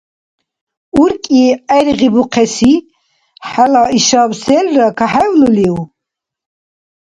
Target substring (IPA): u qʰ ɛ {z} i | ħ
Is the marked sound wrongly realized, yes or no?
yes